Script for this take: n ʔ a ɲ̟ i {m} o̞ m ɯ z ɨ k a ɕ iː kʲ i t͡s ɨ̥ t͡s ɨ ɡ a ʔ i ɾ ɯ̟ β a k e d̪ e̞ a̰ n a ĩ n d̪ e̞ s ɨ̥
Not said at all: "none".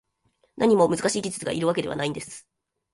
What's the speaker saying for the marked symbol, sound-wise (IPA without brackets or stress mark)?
m